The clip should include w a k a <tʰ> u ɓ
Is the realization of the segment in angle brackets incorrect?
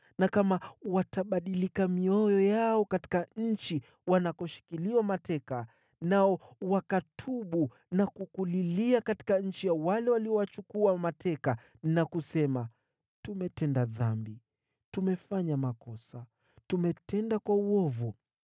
no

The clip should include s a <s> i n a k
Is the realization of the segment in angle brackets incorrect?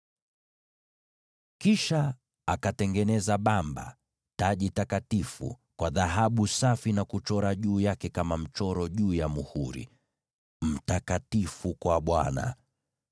yes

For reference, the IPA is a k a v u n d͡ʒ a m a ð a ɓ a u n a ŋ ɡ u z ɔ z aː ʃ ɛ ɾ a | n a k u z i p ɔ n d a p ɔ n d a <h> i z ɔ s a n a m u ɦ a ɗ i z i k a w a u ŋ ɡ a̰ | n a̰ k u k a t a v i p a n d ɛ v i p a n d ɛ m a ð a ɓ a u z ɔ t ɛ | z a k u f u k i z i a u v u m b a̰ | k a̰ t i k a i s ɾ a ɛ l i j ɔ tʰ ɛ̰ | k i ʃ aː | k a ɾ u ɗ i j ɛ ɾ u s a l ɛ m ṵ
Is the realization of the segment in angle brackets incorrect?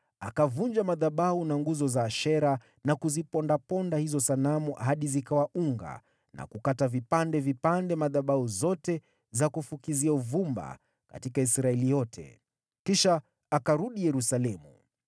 no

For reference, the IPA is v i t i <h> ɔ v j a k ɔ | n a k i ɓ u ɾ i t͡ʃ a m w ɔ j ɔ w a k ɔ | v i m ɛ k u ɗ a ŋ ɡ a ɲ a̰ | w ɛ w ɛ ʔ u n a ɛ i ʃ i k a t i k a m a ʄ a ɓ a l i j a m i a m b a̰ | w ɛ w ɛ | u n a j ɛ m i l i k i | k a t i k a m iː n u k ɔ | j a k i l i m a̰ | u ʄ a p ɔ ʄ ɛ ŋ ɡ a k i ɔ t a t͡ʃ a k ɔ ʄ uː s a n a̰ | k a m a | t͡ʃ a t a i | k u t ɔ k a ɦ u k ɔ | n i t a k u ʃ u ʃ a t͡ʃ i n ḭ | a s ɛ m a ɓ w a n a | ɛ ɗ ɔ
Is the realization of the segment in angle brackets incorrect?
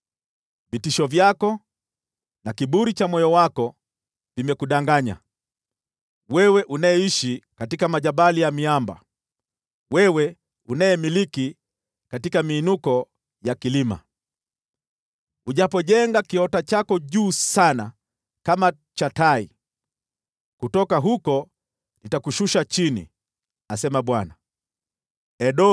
yes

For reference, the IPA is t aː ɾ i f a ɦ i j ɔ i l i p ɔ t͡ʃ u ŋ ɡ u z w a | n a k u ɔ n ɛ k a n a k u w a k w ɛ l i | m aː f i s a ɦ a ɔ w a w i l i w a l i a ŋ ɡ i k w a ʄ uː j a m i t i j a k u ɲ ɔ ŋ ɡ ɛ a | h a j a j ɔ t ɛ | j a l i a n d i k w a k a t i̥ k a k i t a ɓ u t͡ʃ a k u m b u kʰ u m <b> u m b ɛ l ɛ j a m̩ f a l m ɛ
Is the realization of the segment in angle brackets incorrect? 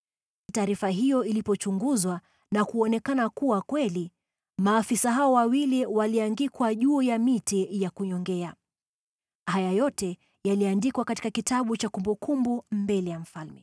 no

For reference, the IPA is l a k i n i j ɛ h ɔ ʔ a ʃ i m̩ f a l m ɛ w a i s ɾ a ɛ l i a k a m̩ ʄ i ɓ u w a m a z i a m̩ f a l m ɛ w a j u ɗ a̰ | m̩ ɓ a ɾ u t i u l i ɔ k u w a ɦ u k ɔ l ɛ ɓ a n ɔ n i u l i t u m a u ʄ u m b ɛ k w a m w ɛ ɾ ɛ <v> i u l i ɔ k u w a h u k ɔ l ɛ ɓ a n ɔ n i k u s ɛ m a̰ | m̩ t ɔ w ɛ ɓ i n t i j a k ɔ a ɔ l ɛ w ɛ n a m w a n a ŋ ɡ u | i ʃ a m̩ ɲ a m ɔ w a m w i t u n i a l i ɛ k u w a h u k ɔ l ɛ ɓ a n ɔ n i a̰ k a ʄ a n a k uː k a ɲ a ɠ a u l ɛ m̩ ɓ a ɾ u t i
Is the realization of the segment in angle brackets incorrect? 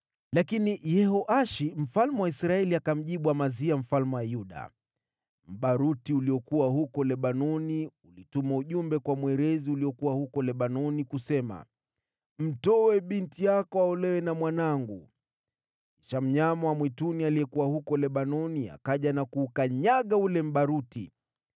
yes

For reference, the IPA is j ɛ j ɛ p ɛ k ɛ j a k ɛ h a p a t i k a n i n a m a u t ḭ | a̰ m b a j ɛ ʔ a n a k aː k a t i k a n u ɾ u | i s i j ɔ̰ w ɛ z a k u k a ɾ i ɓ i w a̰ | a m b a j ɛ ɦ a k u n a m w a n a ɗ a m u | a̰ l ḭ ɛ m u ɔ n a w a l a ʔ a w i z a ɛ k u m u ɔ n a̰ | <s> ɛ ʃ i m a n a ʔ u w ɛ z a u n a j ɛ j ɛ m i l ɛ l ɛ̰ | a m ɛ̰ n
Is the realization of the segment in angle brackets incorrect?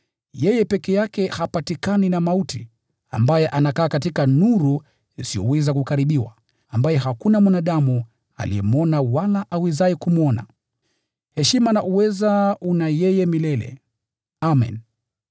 yes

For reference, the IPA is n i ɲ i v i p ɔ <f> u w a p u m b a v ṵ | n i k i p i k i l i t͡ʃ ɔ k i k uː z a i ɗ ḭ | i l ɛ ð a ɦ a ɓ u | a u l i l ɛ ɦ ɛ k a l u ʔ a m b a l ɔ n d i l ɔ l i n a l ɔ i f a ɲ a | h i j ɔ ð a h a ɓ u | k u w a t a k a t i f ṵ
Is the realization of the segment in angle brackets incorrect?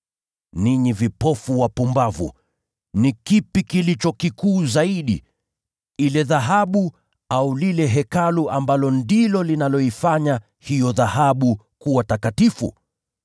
no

